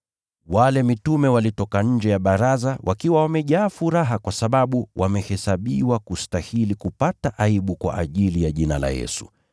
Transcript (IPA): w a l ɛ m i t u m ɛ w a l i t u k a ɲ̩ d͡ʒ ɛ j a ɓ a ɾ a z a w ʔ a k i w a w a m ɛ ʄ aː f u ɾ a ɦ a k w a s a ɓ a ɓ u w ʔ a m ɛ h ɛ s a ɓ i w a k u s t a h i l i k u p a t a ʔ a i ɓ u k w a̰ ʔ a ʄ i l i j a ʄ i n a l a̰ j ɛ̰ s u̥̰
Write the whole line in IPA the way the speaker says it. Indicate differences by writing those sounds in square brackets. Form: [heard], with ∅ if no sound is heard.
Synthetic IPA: w a l ɛ m i t u m ɛ w a l i t [ɔ] k a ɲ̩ d͡ʒ ɛ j a ɓ a ɾ a z a w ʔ a k i w a w a m ɛ ʄ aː f u ɾ a ɦ a k w a s a ɓ a ɓ u w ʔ a m ɛ h ɛ s a ɓ i w a k u s t a h i l i k u p a t a ʔ a i ɓ u k w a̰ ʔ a ʄ i l i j a ʄ i n a l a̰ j ɛ̰ s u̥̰